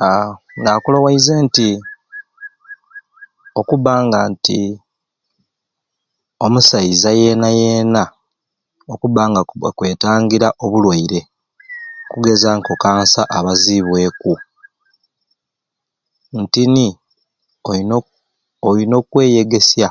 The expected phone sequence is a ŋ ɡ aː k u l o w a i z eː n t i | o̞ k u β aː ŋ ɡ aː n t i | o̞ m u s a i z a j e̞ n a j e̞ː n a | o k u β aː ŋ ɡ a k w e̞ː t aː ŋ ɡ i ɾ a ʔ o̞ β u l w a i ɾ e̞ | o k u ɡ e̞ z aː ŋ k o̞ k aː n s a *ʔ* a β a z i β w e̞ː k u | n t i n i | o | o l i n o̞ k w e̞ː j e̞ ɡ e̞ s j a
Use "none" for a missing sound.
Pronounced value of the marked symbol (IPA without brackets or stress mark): ʔ